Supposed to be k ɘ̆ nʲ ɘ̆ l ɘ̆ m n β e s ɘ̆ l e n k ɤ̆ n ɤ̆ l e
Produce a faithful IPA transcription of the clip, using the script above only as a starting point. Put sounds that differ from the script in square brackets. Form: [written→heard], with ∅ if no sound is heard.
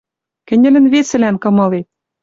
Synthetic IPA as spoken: k ɘ̆ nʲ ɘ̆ l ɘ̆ [m→∅] n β e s ɘ̆ l [e→æ] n k ɤ̆ [n→m] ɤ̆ l e